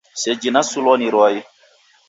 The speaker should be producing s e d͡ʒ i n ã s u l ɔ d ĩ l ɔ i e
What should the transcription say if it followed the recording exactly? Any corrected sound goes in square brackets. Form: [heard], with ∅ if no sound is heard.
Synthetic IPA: s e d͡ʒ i n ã s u l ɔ [n] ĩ [ɾ] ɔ [j] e